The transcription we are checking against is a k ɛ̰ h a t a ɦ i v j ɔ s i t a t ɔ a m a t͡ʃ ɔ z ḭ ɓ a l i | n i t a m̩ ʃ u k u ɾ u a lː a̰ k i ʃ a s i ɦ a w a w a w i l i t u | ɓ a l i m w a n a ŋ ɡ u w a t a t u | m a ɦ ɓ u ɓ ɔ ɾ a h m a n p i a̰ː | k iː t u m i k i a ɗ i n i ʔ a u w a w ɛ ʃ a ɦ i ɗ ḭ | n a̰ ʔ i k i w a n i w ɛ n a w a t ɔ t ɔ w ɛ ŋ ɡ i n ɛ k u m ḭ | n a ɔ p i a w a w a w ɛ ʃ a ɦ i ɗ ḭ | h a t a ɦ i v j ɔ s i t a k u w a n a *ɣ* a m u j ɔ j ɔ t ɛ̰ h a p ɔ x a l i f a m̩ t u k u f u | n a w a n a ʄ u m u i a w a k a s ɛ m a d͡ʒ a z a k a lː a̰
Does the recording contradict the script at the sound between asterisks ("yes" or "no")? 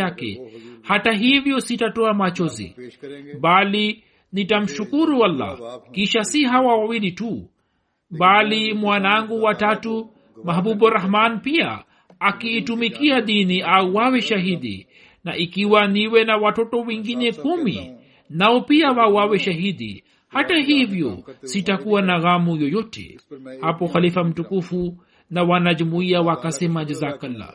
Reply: no